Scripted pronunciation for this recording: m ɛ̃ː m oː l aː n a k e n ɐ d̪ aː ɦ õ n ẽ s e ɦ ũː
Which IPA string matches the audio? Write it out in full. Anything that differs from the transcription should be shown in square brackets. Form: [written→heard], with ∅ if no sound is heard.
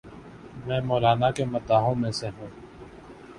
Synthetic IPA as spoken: m ɛ̃ː m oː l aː n a k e [n→m] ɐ [d̪→t̪] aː ɦ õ [n→m] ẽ s e ɦ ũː